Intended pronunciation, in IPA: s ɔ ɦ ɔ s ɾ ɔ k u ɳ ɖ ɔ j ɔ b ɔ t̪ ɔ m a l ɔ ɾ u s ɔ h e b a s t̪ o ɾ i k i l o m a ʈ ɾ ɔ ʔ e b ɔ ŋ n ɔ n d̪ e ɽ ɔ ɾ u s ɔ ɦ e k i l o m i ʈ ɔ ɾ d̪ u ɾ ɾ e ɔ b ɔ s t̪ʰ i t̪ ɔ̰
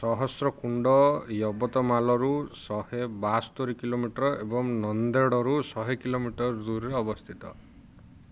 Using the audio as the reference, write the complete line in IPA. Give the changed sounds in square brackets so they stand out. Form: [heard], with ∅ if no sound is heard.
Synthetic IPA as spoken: s ɔ ɦ ɔ s ɾ ɔ k u ɳ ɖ ɔ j ɔ b ɔ t̪ ɔ m a l ɔ ɾ u s ɔ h e b a s t̪ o ɾ i k i l o m [i] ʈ ɾ ɔ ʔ e b ɔ ŋ n ɔ n d̪ e ɽ ɔ ɾ u s ɔ ɦ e k i l o m i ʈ ɔ ɾ d̪ u ɾ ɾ e ɔ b ɔ s t̪ʰ i t̪ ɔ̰